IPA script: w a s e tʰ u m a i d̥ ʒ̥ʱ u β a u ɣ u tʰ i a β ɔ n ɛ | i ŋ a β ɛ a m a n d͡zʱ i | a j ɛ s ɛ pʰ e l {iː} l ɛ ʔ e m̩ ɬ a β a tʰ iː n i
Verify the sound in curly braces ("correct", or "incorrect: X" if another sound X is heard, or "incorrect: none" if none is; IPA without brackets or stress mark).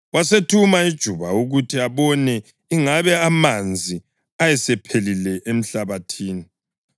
incorrect: i